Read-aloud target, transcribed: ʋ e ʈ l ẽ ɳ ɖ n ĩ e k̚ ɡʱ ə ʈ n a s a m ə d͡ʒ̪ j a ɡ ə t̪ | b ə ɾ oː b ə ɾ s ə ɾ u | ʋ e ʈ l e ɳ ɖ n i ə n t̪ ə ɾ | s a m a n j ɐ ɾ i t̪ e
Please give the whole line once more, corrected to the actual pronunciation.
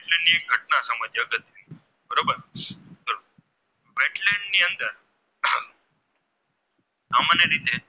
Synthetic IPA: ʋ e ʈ l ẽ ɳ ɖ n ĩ e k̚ ɡʱ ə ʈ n a s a m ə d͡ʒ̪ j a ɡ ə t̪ | b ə ɾ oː b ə ɾ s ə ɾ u | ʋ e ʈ l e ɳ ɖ n i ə n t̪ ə ɾ | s a m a n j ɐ ɾ i t̪ e